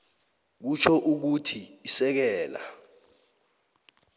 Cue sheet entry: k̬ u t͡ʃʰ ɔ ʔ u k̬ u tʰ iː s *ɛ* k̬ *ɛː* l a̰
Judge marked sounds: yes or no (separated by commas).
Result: yes, yes